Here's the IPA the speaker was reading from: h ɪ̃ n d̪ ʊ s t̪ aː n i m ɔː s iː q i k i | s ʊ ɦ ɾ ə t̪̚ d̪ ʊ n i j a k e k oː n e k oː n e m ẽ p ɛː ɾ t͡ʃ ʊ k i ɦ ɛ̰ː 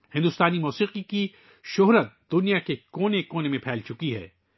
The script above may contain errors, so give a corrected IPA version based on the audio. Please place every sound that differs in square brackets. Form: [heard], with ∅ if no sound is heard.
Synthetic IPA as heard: h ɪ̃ n d̪ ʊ s t̪ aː n i m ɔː s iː q i k i | [ʃ] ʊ ɦ ɾ ə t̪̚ d̪ ʊ n i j a k e k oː n e k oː n e m ẽ [pʰ] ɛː [l] t͡ʃ ʊ k i ɦ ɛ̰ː